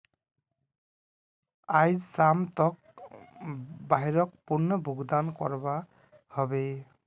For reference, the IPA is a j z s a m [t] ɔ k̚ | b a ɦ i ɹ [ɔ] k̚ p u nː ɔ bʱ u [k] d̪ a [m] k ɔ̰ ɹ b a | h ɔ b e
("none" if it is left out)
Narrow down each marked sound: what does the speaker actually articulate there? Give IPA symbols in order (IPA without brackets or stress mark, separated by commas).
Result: t, ɔ, ɡ, n